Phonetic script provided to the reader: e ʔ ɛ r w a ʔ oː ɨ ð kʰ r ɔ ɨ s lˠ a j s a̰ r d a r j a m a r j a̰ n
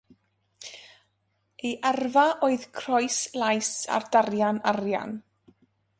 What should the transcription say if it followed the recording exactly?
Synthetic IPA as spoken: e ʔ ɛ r v a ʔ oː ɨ ð kʰ r ɔ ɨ s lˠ a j s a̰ r d a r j a n a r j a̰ n